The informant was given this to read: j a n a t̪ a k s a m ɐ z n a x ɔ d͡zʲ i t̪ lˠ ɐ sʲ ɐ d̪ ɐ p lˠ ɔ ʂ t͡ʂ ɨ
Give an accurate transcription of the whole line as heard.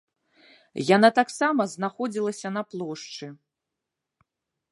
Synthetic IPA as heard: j a n a t̪ a k s a m ɐ z n a x ɔ d͡zʲ i lˠ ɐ sʲ ɐ n̪ ɐ p lˠ ɔ ʂ t͡ʂ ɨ

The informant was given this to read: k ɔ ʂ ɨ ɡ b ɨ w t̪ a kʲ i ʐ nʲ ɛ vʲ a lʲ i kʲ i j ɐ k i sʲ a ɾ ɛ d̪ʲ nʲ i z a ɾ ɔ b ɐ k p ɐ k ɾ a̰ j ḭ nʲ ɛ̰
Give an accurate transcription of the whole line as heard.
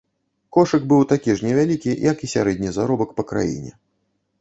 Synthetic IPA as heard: k ɔ ʂ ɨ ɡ b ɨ w t̪ a kʲ i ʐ nʲ ɛ vʲ a lʲ i kʲ i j ɐ k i sʲ a ɾ ɛ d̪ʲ nʲ i z a ɾ ɔ b ɐ k p ɐ k ɾ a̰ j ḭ nʲ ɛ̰

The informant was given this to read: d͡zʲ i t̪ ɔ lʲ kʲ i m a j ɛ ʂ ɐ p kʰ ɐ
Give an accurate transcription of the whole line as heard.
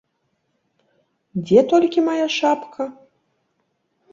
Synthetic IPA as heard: d͡zʲ ɛ t̪ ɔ lʲ kʲ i m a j a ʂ a p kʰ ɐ

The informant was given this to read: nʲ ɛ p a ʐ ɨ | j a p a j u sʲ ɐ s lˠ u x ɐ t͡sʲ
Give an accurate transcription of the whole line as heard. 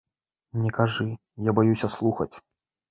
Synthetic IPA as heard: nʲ ɛ k a ʐ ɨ | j a b a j u sʲ ɐ s lˠ u x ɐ t͡sʲ

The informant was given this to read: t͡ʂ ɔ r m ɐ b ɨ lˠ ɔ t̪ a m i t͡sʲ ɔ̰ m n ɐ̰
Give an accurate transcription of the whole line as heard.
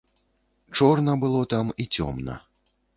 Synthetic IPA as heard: t͡ʂ ɔ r n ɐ b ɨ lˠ ɔ t̪ a m i t͡sʲ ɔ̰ m n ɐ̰

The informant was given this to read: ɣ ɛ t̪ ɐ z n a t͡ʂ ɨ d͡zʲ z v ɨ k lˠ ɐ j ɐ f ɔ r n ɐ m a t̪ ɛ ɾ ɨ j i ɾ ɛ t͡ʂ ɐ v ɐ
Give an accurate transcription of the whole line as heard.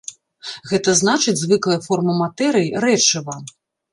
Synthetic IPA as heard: ɣ ɛ t̪ ɐ z n a t͡ʂ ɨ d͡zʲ z v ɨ k lˠ ɐ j ɐ f ɔ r m ɐ m a t̪ ɛ ɾ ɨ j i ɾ ɛ t͡ʂ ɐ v ɐ

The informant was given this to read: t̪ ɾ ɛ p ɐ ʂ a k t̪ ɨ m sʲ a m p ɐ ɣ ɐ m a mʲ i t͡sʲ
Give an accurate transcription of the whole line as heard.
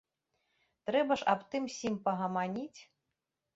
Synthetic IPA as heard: t̪ ɾ ɛ b ɐ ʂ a p t̪ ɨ m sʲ i m p ɐ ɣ ɐ m a nʲ i t͡sʲ

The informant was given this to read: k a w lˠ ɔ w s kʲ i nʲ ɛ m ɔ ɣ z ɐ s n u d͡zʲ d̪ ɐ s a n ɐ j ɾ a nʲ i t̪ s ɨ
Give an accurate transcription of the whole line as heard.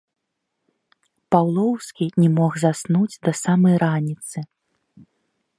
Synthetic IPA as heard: p a w lˠ ɔ w s kʲ i nʲ ɛ m ɔ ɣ z a s n u d͡zʲ d̪ ɐ s a m ɐ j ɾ a nʲ i t̪ s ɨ

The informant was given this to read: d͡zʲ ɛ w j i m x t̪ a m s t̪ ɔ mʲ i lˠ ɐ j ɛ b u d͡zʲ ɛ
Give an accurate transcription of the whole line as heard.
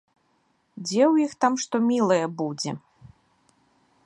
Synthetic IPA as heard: d͡zʲ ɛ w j i x t̪ a m ʂ t̪ ɔ mʲ i lˠ ɐ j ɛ b u d͡zʲ ɛ

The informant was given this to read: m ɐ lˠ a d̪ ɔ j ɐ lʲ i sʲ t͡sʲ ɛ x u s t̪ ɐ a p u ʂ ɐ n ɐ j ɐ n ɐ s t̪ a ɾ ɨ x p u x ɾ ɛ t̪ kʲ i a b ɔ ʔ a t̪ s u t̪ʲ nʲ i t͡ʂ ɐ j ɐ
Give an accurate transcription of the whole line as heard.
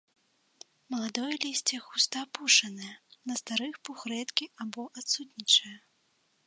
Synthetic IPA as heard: m ɐ lˠ a d̪ ɔ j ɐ lʲ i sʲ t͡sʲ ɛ x u s t̪ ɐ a p u ʂ ɐ n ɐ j ɐ n ɐ s t̪ a ɾ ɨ x p u x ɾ ɛ t̪ kʲ i a b ɔ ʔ a t̪ s u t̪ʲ nʲ i t͡ʂ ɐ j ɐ

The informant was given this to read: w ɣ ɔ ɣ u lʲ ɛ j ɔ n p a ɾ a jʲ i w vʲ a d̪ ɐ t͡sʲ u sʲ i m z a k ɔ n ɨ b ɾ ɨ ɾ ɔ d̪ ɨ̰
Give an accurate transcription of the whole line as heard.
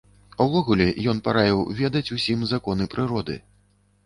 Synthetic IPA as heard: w v ɔ ɣ u lʲ ɛ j ɔ n p a ɾ a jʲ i w vʲ ɛ d̪ ɐ t͡sʲ u sʲ i m z a k ɔ n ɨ p ɾ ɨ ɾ ɔ d̪ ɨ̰

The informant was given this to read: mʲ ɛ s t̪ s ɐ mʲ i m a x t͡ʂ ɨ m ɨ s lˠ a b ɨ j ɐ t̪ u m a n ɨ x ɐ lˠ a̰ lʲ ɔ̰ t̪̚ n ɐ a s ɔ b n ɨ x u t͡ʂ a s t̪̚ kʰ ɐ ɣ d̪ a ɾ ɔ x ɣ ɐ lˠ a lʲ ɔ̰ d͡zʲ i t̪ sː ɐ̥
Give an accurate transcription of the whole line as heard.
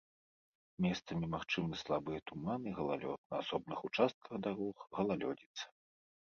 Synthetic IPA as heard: mʲ ɛ s t̪ s ɐ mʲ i m a x t͡ʂ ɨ m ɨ s lˠ a b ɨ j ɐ t̪ u m a n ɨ ɣ ɐ lˠ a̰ lʲ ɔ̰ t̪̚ n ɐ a s ɔ b n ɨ x u t͡ʂ a s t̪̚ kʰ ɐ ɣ d̪ a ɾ ɔ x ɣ ɐ lˠ a lʲ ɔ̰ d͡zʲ i t̪ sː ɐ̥

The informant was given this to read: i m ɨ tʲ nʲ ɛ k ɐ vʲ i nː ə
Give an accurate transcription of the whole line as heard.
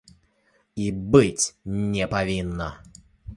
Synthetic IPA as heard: i b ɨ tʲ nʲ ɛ p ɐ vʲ i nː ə

